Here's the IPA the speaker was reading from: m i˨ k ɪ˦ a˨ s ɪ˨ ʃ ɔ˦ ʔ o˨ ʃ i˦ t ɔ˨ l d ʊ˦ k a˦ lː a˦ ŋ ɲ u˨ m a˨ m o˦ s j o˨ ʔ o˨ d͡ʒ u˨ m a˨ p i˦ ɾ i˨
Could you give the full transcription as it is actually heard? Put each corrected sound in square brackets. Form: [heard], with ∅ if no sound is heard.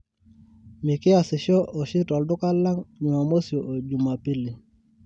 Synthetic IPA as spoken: m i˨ k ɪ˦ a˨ s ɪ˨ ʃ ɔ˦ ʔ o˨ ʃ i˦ t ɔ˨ l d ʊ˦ k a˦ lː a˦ ŋ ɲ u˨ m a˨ m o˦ s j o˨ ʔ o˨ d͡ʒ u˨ m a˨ p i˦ [l] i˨